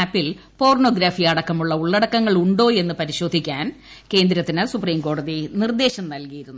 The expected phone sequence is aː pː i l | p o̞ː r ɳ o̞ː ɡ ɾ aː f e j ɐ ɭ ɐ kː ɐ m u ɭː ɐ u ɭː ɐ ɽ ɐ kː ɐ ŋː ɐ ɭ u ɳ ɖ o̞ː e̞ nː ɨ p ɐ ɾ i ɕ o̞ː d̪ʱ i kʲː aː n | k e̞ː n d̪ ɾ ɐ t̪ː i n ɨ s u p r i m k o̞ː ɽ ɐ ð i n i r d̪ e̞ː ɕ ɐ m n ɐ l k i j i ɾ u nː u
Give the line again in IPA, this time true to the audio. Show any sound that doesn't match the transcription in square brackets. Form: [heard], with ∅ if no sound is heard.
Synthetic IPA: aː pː i l | p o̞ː r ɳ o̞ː ɡ ɾ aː f [i] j ɐ [ɽ] ɐ kː ɐ m u ɭː ɐ u ɭː ɐ ɽ ɐ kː ɐ ŋː ɐ ɭ u ɳ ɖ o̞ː e̞ nː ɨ p ɐ ɾ i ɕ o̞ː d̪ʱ i kʲː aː n | k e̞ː n d̪ ɾ ɐ t̪ː i n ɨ s u p r [iː] m k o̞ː ɽ ɐ ð i n i r d̪ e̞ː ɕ ɐ m n ɐ l k i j i ɾ u nː u

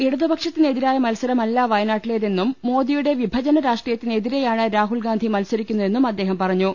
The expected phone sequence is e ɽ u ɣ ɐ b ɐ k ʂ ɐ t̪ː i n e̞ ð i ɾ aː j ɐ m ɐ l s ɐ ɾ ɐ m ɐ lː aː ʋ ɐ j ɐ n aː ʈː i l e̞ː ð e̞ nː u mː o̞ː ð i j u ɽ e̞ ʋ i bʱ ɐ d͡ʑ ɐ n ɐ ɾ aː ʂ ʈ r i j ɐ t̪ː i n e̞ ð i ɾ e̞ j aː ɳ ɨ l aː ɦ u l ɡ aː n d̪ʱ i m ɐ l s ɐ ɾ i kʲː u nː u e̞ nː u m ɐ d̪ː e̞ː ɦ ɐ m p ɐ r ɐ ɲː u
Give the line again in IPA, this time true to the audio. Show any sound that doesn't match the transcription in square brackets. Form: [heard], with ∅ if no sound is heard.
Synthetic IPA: e ɽ u [ð] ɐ b ɐ k ʂ ɐ t̪ː i n e̞ ð i ɾ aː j ɐ m ɐ l s ɐ ɾ ɐ m ɐ lː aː ʋ ɐ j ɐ n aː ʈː i l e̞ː ð e̞ nː u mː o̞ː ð i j u ɽ e̞ ʋ i bʱ ɐ d͡ʑ ɐ n ɐ ɾ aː ʂ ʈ r i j ɐ t̪ː i n e̞ ð i ɾ e̞ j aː ɳ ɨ [ɾ] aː ɦ u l ɡ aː n d̪ʱ i m ɐ l s ɐ ɾ i kʲː u nː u e̞ nː u m ɐ d̪ː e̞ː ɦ ɐ m p ɐ r ɐ ɲː u

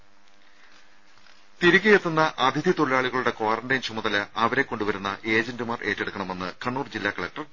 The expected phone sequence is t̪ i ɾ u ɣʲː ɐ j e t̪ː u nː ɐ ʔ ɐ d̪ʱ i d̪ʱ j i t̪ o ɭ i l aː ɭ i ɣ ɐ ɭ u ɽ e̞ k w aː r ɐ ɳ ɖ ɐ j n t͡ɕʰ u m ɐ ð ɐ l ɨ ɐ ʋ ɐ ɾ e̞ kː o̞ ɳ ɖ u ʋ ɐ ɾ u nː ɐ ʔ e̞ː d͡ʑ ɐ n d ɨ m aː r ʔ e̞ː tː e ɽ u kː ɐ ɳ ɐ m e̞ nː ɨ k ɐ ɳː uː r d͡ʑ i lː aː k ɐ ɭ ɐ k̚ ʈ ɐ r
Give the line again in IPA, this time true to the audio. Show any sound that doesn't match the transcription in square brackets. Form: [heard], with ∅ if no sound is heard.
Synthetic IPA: t̪ i ɾ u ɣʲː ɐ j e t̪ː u nː ɐ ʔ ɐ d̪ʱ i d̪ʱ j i t̪ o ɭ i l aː ɭ i ɣ ɐ ɭ u ɽ e̞ k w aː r ɐ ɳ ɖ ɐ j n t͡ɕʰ u m ɐ ð ɐ l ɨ ɐ ʋ ɐ ɾ e̞ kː o̞ ɳ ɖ u ʋ ɐ ɾ u nː ɐ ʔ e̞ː d͡ʑ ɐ n d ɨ m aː r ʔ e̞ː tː e ɽ u kː ɐ ɳ ɐ m e̞ nː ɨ k ɐ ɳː uː r d͡ʑ i lː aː k ɐ ɭ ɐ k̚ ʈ ɐ r

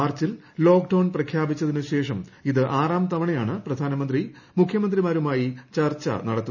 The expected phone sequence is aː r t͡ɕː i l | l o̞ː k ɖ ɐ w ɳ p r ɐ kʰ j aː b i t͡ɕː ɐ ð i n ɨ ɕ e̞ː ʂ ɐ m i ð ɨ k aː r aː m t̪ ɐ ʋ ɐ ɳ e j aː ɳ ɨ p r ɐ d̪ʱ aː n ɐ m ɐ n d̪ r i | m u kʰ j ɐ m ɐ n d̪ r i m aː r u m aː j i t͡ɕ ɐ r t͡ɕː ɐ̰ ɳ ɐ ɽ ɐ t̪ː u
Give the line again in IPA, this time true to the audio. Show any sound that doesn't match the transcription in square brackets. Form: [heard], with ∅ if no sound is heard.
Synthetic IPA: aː r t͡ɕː i l | l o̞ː k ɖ ɐ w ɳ p r ɐ kʰ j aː b i t͡ɕː ɐ ð i n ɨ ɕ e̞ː ʂ ɐ m i ð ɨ [ʔ] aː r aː m t̪ ɐ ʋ ɐ ɳ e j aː ɳ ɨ p r ɐ d̪ʱ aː n ɐ m ɐ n d̪ r i | m u kʰ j ɐ m ɐ n d̪ r i m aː [ɾ] u m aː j i t͡ɕ ɐ r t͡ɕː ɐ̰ [n] ɐ ɽ ɐ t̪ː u

